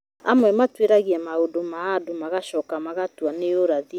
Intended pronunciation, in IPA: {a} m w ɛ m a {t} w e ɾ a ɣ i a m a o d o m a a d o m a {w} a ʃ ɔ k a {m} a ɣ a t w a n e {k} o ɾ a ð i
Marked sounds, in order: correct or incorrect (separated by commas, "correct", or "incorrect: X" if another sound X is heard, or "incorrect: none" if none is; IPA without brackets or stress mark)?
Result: correct, correct, incorrect: ɣ, correct, incorrect: none